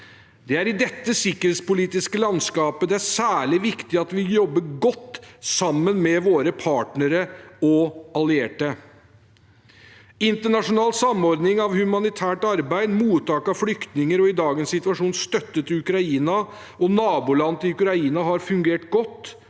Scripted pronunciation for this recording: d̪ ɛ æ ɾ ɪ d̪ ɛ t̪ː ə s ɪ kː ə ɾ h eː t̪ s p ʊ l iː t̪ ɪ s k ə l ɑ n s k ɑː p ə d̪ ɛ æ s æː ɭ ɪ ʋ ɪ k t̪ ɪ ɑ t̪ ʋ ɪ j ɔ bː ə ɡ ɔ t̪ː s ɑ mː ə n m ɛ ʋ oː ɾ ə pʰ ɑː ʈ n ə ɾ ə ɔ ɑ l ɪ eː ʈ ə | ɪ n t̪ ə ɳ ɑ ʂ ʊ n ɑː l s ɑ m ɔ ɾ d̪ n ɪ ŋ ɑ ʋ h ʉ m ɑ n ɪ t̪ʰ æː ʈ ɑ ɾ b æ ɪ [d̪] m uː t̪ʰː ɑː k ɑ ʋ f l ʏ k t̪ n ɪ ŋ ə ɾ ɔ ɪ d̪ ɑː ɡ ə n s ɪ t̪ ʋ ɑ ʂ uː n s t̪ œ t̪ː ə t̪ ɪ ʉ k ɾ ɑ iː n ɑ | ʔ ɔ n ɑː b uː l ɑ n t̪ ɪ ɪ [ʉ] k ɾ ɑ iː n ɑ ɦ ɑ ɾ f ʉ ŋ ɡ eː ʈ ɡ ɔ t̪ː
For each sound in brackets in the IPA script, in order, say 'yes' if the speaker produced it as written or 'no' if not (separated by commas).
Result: yes, yes